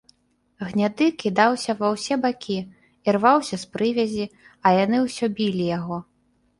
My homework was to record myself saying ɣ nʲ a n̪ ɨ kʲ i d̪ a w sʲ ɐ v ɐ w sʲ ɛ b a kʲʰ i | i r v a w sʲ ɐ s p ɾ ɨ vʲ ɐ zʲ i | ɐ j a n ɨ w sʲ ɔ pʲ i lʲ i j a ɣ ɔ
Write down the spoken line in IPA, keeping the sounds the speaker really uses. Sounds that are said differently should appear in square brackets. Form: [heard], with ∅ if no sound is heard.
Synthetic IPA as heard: ɣ nʲ a [d̪] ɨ kʲ i d̪ a w sʲ ɐ v ɐ w sʲ ɛ b a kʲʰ i | i r v a w sʲ ɐ s p ɾ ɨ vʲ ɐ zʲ i | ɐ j a n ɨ w sʲ ɔ [bʲ] i lʲ i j a ɣ ɔ